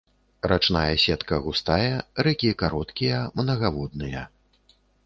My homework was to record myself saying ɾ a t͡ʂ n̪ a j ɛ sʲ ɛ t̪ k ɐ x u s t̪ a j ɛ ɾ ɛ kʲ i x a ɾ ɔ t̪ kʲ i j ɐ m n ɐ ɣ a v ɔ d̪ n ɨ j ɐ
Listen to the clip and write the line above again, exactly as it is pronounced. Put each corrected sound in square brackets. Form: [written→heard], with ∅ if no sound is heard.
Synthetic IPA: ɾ a t͡ʂ n̪ a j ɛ sʲ ɛ t̪ k ɐ [x→ɣ] u s t̪ a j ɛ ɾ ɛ kʲ i [x→k] a ɾ ɔ t̪ kʲ i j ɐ m n ɐ ɣ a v ɔ d̪ n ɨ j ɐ